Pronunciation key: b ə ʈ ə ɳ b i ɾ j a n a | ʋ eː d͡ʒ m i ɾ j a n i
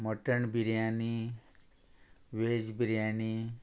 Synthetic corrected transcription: m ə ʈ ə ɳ b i ɾ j a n i | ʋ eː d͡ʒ b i ɾ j a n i

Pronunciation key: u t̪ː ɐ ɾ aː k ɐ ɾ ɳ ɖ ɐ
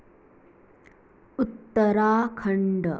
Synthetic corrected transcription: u t̪ː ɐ ɾ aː kʰ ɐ ɳ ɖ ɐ

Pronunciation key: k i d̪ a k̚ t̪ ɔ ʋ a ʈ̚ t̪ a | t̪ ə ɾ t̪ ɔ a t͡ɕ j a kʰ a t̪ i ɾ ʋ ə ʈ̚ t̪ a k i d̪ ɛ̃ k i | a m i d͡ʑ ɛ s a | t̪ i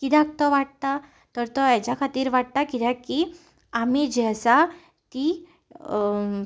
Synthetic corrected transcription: k i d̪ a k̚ t̪ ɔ ʋ a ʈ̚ t̪ a | t̪ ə ɾ t̪ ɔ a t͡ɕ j a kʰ a t̪ iː ɾ ʋ a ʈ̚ t̪ a k i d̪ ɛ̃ k i | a m i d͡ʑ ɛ s a | t̪ i

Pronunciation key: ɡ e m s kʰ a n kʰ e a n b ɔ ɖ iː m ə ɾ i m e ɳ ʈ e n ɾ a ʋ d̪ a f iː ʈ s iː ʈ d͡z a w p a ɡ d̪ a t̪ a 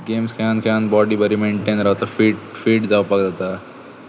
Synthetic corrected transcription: ɡ e m s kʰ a n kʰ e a n b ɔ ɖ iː b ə ɾ i m e ɳ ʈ e n ɾ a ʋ t̪ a f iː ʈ f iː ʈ d͡z a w p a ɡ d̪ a t̪ a

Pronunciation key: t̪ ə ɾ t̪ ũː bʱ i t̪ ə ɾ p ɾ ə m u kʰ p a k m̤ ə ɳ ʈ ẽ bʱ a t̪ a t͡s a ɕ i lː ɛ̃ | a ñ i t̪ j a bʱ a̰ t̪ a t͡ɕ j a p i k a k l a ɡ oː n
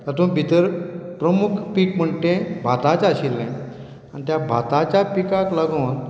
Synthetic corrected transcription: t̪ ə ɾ t̪ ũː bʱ i t̪ ə ɾ p ɾ ə m u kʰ p i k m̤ ə ɳ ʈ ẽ bʱ a t̪ a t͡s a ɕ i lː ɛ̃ | a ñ i t̪ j a bʱ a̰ t̪ a t͡ɕ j a p i k a k l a ɡ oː n

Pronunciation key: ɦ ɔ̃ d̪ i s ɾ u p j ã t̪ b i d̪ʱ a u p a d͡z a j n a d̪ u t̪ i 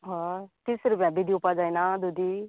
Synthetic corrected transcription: ɦ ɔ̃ t̪ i s ɾ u p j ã b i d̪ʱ i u p a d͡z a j n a d̪ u d̪ i

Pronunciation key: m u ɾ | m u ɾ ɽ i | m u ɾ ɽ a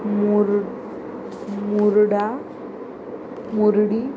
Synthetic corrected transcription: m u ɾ | m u ɾ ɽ a | m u ɾ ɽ i

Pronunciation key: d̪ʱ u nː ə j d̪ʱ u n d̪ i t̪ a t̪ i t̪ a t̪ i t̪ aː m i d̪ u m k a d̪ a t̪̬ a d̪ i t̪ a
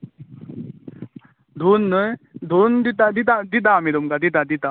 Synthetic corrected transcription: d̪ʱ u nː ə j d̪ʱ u n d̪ i t̪ a d̪ i t̪ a d̪ i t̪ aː m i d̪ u m k a d̪ i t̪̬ a d̪ i t̪ a

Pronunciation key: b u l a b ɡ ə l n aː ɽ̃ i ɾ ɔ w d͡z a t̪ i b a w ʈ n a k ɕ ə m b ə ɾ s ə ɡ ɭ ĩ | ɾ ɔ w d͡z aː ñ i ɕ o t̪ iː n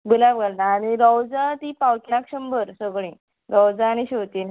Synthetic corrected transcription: b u l a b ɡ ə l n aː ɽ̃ i ɾ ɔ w d͡z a t̪ i p a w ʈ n a k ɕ ə m b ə ɾ s ə ɡ ɭ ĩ | ɾ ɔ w d͡z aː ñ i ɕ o t̪ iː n

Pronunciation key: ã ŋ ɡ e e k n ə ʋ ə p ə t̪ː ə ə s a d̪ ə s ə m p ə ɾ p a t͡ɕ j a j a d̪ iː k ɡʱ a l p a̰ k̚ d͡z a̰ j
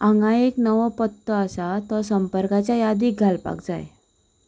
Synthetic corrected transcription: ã ŋ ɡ a e k n ə ʋ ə p ə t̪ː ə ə s a t̪ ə s ə m p ə ɾ k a t͡ɕ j a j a d̪ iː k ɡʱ a l p a̰ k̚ d͡z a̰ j

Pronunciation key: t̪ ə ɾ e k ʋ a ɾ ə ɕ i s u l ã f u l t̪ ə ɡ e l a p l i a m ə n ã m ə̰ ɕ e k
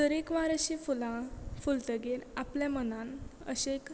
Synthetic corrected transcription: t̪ ə ɾ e k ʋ a ɾ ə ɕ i f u l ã f u l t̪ ə ɡ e ɾ a p l j a m ə n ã n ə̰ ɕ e k

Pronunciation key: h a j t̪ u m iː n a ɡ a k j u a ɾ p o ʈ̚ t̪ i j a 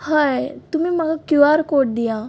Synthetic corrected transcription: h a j t̪ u m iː m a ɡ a k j u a ɾ k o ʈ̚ d̪ i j a

